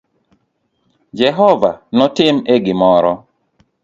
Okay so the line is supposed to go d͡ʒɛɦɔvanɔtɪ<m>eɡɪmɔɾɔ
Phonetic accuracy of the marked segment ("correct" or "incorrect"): correct